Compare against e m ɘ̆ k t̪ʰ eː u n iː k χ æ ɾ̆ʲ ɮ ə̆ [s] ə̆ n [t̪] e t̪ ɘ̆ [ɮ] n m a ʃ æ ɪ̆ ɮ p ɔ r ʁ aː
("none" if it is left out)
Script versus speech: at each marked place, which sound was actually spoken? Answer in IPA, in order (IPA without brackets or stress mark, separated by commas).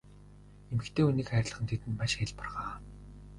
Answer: χ, t̪ʰ, none